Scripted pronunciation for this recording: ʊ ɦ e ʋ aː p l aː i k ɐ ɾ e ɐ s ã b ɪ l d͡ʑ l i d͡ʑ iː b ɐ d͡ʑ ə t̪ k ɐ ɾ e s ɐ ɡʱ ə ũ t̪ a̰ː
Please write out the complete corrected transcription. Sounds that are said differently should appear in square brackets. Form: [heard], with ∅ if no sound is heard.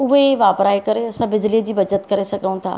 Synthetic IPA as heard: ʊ ɦ e ʋ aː p [ɾ] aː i k ɐ ɾ e ɐ s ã b ɪ [∅] d͡ʑ l i d͡ʑ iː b ɐ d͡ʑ ə t̪ k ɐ ɾ e s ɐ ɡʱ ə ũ [t̪ʰ] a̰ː